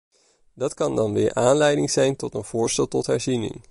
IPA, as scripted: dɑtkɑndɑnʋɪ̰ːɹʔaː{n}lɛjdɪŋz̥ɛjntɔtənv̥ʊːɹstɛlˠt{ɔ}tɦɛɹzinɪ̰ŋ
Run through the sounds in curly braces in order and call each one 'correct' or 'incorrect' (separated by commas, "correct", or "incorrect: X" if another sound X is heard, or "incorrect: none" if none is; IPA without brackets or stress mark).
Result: correct, correct